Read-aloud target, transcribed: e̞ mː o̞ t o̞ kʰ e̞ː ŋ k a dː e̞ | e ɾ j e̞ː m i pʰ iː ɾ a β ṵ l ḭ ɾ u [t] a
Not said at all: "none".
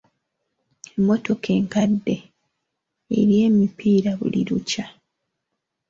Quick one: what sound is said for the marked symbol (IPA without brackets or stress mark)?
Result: c